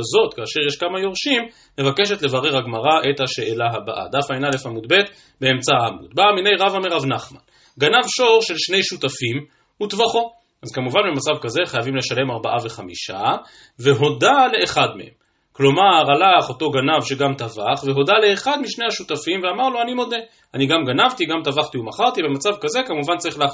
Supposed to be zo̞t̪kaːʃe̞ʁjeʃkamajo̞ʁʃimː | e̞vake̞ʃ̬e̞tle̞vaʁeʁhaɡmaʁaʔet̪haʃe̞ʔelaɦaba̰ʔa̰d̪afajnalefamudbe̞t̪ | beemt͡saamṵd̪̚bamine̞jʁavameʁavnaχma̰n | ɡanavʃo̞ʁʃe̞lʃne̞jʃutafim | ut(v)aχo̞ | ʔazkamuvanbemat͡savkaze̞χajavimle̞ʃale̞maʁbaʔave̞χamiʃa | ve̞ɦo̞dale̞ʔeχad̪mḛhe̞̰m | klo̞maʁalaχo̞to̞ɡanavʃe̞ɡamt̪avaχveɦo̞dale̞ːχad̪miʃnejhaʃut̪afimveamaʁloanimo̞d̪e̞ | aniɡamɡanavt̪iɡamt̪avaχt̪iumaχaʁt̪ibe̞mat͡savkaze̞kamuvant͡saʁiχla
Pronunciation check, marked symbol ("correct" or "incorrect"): correct